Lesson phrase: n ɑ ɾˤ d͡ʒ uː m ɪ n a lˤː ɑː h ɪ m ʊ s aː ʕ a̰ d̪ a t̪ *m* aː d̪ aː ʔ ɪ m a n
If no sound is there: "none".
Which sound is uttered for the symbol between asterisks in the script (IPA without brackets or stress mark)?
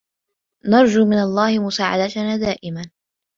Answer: n